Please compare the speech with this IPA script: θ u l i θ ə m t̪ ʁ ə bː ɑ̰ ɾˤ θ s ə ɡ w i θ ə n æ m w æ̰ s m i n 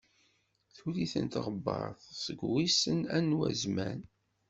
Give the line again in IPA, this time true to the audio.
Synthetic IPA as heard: θ u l i θ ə n t̪ ʁ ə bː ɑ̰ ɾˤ θ s ə ɡ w i s ə n æ n w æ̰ z m æ n